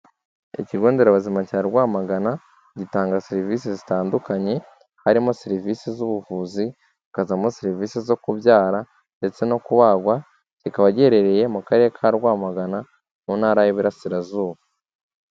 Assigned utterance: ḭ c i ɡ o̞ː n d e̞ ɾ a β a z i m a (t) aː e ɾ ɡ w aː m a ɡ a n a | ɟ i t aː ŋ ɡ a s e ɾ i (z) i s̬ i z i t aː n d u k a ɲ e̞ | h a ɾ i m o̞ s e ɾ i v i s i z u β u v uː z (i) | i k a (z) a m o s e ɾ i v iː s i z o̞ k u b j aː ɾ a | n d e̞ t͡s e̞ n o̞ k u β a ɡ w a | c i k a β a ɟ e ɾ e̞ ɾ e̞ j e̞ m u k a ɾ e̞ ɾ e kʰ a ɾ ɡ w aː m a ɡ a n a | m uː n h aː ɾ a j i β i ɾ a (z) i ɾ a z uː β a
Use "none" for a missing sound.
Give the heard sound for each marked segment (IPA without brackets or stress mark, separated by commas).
c, v, i, z, s